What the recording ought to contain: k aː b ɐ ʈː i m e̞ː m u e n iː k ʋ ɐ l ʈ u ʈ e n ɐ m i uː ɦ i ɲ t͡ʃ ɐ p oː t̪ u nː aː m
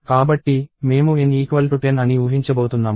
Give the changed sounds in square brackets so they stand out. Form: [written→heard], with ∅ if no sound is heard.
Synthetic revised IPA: k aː b ɐ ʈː i m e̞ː m u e n iː k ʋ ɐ l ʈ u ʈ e n ɐ [m→n] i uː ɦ i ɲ t͡ʃ ɐ [p→b] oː t̪ u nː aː m